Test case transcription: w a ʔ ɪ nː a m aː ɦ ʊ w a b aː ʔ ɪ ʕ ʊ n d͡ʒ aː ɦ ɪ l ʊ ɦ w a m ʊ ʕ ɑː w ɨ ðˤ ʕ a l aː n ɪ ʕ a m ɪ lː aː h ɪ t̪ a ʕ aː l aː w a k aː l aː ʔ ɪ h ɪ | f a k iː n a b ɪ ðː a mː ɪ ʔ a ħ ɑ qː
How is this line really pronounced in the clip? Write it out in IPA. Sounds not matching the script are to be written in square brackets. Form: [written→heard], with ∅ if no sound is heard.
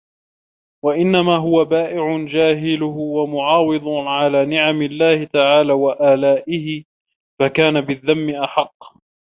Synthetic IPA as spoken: w a ʔ ɪ nː a m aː ɦ ʊ w a b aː ʔ ɪ ʕ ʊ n d͡ʒ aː ɦ ɪ l ʊ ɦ w a m ʊ ʕ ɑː w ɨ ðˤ ʕ a l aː n ɪ ʕ a m ɪ lː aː h ɪ t̪ a ʕ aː l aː w a [k→ʔ] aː l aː ʔ ɪ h ɪ | f a k [iː→aː] n a b ɪ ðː a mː ɪ ʔ a ħ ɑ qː